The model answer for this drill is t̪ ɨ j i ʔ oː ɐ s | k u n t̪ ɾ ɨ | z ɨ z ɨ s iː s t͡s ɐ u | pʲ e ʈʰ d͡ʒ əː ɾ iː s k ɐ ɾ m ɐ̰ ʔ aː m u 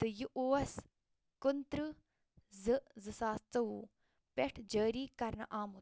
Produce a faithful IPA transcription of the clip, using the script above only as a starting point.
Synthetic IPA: t̪ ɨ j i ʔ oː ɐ s | k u n t̪ ɾ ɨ | z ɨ z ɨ s aː s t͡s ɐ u | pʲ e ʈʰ d͡ʒ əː ɾ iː k ɐ ɾ n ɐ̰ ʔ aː m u